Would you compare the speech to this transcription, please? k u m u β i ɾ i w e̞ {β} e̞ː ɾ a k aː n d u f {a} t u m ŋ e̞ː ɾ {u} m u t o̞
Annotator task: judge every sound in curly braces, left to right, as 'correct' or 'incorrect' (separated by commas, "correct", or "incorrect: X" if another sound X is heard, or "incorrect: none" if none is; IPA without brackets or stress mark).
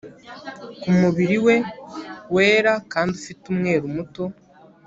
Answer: incorrect: w, incorrect: i, correct